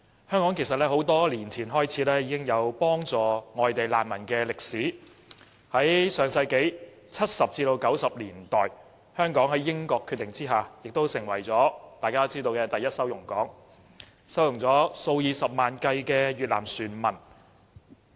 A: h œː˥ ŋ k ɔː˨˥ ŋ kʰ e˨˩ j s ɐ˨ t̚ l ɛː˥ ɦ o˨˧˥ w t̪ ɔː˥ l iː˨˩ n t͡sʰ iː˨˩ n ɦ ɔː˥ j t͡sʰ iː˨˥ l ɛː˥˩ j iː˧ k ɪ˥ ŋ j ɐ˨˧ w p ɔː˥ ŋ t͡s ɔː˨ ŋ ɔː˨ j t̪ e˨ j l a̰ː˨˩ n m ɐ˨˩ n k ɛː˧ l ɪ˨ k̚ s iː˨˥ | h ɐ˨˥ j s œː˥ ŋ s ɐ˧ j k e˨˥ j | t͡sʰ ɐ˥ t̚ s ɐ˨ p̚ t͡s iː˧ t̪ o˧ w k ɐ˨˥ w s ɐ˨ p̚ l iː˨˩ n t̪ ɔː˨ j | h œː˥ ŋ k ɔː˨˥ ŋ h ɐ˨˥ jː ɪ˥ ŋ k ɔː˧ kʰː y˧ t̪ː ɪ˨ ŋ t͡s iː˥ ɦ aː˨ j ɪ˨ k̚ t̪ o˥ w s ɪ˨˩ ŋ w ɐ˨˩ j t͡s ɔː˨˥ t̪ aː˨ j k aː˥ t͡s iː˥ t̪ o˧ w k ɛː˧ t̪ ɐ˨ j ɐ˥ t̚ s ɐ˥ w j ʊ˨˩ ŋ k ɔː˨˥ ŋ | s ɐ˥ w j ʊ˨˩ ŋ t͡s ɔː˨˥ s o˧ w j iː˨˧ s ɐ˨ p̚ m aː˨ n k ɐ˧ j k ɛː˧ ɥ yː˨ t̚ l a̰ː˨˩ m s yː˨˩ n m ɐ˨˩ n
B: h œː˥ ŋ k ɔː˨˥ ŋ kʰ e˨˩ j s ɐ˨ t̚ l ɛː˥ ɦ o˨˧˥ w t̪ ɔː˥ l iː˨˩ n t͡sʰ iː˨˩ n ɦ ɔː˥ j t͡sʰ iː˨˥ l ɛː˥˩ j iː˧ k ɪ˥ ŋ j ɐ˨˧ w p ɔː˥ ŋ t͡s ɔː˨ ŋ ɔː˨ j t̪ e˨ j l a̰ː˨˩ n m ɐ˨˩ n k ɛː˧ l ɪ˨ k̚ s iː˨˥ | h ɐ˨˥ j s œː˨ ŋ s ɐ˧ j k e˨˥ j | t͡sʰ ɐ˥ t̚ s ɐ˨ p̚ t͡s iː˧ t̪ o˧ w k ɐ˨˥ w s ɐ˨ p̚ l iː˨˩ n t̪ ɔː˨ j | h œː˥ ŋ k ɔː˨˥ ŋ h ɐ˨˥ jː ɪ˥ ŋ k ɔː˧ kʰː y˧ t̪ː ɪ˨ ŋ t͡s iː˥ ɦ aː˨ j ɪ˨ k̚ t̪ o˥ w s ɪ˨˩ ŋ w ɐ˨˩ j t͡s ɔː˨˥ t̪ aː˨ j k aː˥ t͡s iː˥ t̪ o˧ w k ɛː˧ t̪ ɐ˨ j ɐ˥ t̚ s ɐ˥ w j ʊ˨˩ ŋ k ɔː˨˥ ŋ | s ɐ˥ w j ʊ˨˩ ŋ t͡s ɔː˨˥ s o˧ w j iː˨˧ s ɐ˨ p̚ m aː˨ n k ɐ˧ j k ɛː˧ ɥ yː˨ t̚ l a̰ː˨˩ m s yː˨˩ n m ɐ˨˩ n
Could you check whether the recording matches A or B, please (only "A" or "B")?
B